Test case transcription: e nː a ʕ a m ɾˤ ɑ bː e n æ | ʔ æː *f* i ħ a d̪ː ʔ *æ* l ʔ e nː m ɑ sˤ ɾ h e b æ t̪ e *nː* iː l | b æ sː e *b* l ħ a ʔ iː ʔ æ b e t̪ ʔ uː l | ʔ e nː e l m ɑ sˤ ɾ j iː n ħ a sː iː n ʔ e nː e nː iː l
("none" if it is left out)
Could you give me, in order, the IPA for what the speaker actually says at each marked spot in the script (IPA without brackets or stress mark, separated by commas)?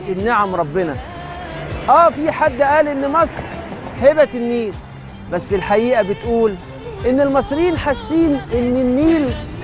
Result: f, æː, nː, none